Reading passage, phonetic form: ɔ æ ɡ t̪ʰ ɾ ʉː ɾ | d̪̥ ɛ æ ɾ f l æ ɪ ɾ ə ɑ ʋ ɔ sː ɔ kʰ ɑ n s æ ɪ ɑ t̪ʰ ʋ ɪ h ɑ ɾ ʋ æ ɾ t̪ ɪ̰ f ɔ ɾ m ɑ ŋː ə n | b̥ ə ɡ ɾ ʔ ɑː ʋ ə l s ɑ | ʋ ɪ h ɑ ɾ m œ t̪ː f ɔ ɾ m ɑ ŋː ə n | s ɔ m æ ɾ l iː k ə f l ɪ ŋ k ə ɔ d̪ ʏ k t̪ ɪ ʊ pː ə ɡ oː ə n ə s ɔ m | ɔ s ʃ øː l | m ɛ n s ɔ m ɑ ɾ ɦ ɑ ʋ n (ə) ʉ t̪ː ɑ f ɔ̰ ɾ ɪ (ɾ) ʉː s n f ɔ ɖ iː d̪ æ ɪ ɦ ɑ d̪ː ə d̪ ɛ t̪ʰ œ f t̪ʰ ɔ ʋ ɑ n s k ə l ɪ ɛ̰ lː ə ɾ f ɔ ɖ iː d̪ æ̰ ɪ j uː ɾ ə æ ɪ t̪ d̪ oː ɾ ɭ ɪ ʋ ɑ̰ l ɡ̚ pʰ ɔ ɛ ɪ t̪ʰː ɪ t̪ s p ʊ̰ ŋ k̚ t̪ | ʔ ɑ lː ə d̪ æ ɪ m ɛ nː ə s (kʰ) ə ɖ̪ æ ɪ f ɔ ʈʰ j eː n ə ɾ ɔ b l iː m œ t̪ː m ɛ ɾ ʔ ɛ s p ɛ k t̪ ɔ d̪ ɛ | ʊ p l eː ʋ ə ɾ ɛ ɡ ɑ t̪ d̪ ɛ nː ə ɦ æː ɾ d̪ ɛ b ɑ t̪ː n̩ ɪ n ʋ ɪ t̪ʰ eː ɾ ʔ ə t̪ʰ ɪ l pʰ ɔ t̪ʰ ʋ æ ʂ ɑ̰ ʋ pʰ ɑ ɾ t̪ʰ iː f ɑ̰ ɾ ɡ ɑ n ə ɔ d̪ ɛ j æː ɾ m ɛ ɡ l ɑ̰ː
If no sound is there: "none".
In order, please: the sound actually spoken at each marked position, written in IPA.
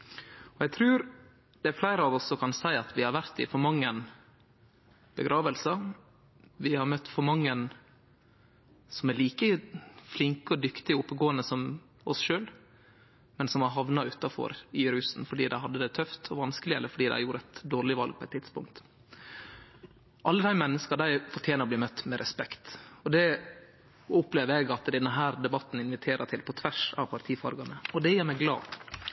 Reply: ɑ, ɾ, k

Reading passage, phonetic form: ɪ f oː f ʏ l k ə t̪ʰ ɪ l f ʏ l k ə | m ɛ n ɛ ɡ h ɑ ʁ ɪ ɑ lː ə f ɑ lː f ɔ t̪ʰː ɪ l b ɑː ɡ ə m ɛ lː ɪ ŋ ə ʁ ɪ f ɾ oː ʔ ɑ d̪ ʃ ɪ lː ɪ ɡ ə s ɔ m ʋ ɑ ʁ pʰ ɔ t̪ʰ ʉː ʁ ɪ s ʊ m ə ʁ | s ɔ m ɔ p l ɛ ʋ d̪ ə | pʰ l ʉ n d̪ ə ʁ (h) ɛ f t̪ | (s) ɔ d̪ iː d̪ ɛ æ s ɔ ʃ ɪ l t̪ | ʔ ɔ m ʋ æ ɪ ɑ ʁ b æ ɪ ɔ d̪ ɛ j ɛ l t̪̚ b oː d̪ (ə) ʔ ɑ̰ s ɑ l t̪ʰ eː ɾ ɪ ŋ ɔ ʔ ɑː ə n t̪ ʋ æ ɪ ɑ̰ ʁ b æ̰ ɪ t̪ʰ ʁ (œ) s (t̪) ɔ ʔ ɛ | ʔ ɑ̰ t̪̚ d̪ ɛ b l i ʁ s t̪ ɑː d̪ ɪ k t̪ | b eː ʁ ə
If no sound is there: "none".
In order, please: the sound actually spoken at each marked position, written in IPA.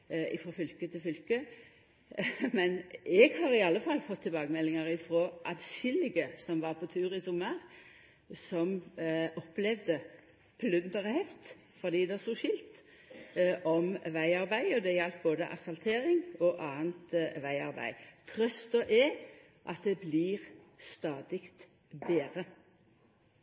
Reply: h, f, ə, œ, t̪

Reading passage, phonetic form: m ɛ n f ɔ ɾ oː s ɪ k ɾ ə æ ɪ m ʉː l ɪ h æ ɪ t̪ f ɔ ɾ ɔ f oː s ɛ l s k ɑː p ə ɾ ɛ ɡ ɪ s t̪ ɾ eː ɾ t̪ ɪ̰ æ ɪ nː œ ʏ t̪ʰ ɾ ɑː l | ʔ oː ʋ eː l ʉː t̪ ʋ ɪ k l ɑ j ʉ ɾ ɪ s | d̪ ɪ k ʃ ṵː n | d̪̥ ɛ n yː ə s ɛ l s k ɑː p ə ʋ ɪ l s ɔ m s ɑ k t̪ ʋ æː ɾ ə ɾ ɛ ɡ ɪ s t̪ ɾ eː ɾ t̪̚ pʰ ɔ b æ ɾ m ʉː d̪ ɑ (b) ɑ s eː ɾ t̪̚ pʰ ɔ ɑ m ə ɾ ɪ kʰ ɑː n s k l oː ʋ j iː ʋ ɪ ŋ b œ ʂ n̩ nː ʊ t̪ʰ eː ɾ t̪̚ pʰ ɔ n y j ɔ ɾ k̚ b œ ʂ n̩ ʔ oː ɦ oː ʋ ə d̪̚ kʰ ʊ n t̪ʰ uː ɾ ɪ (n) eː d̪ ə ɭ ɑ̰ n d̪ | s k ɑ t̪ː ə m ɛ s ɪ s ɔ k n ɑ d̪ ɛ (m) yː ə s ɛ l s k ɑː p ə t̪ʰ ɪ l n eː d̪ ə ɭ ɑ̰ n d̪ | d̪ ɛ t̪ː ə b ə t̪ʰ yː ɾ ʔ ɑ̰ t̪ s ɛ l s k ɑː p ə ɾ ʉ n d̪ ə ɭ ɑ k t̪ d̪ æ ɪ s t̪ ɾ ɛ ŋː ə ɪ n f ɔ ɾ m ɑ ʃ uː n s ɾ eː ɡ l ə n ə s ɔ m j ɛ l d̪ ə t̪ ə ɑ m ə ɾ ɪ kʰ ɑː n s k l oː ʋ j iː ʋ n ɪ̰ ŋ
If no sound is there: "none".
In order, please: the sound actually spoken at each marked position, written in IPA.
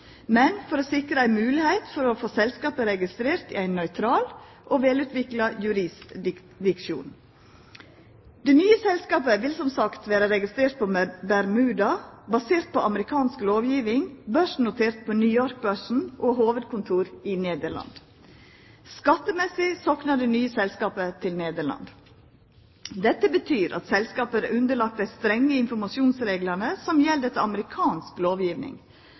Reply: b, n, n

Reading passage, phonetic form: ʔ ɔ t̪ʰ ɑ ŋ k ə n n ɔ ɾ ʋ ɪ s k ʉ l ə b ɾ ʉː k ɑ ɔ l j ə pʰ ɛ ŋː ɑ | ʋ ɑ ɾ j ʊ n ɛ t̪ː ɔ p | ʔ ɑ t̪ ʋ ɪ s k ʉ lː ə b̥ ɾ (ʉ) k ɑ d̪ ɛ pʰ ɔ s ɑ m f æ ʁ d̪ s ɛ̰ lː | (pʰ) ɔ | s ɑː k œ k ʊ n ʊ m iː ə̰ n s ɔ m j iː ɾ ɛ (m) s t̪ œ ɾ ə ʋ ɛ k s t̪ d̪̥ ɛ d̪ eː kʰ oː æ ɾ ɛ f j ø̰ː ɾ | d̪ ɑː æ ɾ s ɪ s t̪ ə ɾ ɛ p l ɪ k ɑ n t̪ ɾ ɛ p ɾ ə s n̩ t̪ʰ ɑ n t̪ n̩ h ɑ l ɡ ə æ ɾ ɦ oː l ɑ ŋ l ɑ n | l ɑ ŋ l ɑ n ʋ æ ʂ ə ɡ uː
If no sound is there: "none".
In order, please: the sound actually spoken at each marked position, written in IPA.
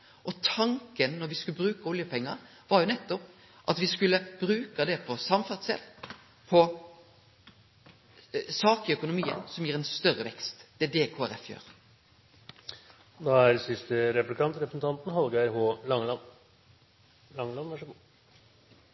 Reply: ʉː, pʰ, n

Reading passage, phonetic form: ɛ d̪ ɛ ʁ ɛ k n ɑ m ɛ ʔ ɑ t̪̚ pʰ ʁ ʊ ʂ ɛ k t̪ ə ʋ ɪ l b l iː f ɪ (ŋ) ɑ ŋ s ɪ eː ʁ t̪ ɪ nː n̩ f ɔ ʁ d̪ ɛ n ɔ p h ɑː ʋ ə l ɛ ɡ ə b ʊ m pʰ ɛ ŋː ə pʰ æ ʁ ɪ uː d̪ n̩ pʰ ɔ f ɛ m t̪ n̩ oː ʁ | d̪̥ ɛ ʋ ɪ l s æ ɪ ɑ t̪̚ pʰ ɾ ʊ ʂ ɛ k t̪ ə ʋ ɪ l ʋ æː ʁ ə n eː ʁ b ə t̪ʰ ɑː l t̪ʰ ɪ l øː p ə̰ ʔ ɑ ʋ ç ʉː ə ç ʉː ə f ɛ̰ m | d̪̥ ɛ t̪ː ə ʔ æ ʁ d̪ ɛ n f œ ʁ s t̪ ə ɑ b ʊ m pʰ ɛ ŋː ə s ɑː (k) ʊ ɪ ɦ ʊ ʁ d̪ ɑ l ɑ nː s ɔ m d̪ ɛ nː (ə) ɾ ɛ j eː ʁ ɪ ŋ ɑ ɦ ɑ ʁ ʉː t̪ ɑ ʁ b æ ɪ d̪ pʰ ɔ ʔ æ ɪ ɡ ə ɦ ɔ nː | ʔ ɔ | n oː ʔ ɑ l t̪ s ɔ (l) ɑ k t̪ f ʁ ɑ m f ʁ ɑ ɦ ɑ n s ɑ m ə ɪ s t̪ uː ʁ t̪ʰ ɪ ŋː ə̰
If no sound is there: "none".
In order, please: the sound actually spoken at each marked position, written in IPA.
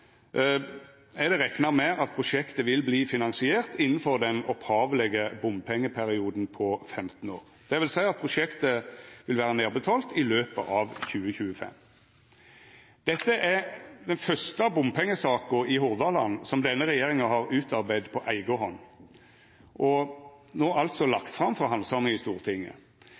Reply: n, k, ə, l

